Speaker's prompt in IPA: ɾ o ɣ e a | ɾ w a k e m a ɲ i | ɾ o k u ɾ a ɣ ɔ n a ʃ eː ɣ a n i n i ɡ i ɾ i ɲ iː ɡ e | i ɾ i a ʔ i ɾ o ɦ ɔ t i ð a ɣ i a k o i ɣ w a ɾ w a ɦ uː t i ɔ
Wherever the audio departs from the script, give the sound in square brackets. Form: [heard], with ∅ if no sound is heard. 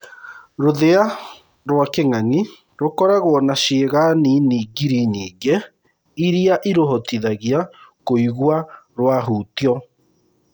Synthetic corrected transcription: ɾ o [ð] e a | ɾ w a k e [ŋ] a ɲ i | ɾ o k [ɔ] ɾ a ɣ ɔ n a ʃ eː ɣ a n i n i ɡ i ɾ i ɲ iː ɡ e | i ɾ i a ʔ i ɾ o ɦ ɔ t i ð a ɣ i a k o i ɣ w a ɾ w a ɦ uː t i ɔ